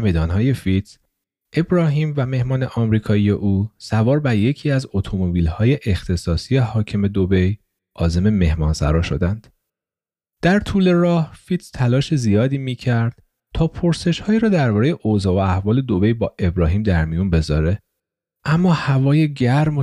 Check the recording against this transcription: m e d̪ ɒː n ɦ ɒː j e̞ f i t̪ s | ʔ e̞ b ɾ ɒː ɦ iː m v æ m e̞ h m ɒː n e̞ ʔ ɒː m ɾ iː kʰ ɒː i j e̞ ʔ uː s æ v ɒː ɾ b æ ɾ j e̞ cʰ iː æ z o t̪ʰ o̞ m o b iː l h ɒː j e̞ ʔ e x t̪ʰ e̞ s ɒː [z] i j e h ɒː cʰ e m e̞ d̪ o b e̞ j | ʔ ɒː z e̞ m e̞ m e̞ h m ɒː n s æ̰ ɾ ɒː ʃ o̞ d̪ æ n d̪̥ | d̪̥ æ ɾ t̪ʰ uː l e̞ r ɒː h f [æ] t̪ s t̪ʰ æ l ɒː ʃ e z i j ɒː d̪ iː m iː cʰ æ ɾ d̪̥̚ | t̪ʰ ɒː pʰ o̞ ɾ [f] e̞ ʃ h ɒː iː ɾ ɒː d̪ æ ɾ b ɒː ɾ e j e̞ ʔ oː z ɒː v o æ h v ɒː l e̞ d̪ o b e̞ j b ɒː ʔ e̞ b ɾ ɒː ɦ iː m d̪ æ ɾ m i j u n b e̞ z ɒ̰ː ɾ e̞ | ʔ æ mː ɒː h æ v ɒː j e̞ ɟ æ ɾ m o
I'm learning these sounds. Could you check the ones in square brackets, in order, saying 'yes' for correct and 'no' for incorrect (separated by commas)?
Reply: no, no, no